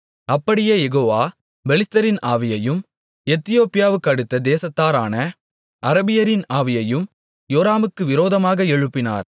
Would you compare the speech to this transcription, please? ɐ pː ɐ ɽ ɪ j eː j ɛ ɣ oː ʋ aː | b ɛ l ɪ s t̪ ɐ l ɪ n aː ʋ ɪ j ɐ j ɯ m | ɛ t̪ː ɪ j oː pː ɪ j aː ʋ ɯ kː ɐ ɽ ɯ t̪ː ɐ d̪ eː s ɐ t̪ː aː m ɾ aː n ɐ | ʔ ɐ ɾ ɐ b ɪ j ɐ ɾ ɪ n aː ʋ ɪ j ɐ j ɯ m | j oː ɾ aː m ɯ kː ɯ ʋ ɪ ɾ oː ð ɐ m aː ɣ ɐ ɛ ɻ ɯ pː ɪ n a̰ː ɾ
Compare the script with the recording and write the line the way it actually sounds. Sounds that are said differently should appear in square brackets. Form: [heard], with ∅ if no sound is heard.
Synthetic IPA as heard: ɐ pː ɐ ɽ ɪ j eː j ɛ ɣ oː ʋ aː | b ɛ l ɪ s t̪ ɐ [ɾ] ɪ n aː ʋ ɪ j ɐ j ɯ m | ɛ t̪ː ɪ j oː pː ɪ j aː ʋ ɯ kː ɐ ɽ ɯ t̪ː ɐ d̪ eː s ɐ t̪ː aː [∅] ɾ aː n ɐ | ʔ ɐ ɾ ɐ b ɪ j ɐ ɾ ɪ n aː ʋ ɪ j ɐ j ɯ m | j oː ɾ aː m ɯ kː ɯ ʋ ɪ ɾ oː ð ɐ m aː ɣ ɐ ɛ ɻ ɯ pː ɪ n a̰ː ɾ